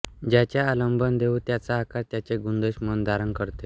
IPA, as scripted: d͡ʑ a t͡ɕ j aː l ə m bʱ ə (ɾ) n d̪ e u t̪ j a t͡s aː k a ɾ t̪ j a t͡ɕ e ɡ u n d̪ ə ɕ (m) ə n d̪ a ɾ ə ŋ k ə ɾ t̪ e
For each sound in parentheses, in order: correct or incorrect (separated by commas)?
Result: incorrect, correct